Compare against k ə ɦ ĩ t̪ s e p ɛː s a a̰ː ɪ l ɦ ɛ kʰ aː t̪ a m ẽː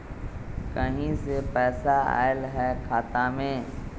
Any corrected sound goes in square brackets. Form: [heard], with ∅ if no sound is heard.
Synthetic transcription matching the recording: k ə ɦ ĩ [∅] s e p ɛː s a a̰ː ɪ l ɦ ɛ kʰ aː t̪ a m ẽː